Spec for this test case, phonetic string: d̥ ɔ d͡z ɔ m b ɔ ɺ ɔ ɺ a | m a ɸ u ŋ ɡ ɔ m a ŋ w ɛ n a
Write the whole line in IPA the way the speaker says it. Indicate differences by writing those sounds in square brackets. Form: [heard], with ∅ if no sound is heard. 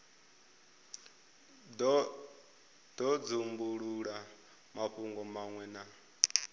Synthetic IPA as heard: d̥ ɔ d͡z [u] m b [u] ɺ [u] ɺ a | m a ɸ u ŋ ɡ ɔ m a ŋ w ɛ n a